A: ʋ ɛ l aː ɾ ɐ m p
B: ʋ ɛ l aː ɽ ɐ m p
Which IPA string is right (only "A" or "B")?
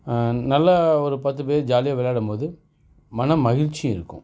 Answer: B